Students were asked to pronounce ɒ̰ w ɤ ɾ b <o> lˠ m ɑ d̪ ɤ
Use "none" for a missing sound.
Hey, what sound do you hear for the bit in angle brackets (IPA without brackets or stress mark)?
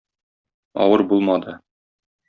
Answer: u